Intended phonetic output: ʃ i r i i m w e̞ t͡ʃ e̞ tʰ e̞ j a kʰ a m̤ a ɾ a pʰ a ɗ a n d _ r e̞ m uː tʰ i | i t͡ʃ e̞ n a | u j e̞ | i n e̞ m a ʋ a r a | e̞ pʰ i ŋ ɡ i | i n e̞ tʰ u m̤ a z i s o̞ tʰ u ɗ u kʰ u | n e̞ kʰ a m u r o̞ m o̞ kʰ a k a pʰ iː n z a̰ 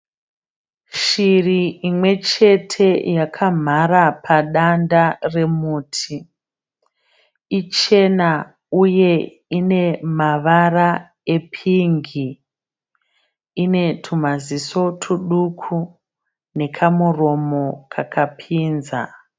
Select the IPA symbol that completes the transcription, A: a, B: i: A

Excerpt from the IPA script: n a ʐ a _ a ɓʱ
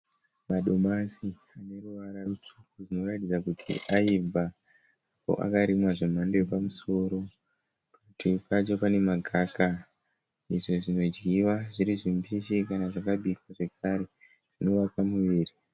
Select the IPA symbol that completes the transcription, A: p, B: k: B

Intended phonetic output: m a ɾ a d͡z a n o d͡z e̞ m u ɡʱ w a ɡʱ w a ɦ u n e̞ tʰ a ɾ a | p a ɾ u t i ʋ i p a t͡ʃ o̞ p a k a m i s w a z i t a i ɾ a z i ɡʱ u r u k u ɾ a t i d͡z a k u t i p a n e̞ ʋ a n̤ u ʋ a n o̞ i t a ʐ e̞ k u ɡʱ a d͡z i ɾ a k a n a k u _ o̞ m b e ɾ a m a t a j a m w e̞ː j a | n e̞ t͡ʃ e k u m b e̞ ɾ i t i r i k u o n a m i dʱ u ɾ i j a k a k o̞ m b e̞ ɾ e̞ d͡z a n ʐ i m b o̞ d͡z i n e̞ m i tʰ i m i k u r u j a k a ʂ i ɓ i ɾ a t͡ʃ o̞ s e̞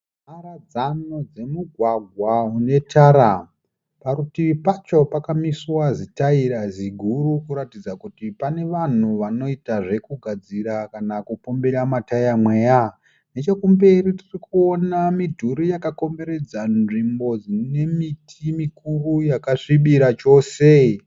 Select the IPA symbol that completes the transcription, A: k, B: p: B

